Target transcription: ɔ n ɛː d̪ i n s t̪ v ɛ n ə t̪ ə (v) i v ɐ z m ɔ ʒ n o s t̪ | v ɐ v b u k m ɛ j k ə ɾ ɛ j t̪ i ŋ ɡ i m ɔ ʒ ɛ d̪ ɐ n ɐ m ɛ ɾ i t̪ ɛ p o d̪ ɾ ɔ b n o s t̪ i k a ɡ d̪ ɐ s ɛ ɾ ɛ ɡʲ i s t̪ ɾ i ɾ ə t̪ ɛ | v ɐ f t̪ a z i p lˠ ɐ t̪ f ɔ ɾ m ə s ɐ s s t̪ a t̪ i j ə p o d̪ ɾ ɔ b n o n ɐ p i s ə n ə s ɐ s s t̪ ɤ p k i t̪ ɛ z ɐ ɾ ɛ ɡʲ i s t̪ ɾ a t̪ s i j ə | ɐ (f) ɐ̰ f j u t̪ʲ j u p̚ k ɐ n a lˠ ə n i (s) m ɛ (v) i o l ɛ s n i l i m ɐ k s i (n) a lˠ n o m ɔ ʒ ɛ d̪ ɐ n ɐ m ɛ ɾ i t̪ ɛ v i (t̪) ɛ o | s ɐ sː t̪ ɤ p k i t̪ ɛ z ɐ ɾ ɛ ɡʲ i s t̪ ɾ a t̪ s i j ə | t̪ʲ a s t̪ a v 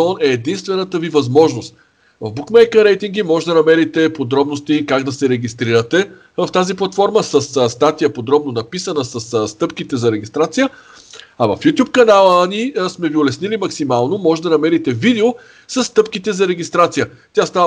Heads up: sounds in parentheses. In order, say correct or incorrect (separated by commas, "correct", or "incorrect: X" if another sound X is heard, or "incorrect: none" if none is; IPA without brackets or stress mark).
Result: correct, incorrect: v, correct, correct, incorrect: m, incorrect: d̪